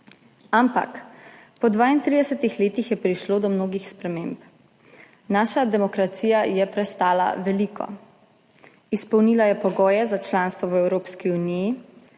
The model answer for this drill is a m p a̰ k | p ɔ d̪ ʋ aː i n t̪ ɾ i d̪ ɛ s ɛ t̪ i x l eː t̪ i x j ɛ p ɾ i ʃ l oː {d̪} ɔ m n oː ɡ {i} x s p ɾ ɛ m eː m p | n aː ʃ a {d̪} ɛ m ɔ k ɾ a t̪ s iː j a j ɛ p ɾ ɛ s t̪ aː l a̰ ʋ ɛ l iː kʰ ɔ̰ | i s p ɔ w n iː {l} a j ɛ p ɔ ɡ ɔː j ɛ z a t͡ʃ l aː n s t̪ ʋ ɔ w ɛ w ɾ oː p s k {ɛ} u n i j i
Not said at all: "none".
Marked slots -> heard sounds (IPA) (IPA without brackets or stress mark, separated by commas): d̪, i, d̪, l, i